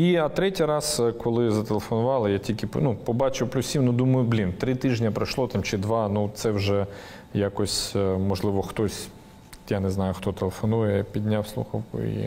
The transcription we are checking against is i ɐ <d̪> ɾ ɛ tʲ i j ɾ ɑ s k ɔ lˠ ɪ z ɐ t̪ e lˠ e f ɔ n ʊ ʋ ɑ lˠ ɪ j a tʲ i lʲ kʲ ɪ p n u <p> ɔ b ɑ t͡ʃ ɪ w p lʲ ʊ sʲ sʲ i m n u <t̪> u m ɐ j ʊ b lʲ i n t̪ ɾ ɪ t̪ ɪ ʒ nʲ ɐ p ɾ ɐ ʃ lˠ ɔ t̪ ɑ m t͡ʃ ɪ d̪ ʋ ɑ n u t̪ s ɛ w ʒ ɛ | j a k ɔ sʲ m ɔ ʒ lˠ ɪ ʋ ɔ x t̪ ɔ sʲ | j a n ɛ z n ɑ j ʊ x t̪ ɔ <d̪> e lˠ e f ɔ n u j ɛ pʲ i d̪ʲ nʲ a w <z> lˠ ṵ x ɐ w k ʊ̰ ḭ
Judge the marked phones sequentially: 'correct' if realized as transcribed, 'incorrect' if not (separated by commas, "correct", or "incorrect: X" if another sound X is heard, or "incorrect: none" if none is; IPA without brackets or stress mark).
incorrect: t̪, correct, incorrect: d̪, incorrect: t̪, incorrect: s